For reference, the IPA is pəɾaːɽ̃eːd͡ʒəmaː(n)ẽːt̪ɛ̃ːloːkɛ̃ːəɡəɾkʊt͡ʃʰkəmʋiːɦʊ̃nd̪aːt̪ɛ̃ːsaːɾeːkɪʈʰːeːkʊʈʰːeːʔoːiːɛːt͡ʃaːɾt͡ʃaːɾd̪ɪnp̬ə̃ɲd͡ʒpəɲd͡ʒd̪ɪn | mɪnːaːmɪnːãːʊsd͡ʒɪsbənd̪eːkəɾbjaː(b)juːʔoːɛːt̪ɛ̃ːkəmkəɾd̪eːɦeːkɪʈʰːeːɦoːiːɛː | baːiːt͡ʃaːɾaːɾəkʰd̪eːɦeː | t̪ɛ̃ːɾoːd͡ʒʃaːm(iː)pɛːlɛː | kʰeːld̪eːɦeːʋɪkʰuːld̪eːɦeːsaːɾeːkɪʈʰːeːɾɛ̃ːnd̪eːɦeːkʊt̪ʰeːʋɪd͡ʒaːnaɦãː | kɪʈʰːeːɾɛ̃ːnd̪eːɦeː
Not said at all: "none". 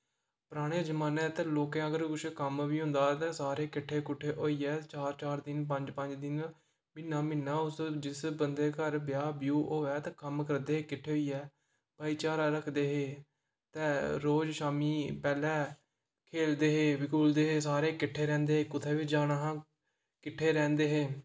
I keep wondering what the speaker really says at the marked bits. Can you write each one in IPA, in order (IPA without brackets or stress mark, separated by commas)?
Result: n, b, iː